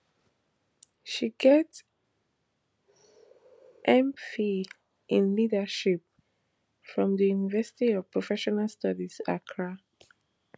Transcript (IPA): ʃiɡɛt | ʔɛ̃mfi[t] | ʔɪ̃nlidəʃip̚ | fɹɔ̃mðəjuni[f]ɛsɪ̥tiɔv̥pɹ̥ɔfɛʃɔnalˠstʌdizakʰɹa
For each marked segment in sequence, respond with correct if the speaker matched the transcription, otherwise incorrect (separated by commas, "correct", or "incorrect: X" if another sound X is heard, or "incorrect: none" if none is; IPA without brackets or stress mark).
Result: incorrect: none, incorrect: v